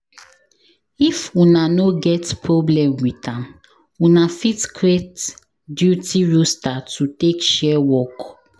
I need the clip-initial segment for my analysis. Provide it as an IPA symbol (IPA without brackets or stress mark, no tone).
i